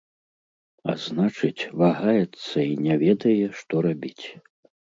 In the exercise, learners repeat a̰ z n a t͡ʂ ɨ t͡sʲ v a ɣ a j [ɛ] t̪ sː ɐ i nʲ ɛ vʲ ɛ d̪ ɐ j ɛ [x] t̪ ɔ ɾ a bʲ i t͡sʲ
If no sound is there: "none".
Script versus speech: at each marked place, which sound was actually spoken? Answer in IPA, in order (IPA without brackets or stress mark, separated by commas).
ɛ, ʂ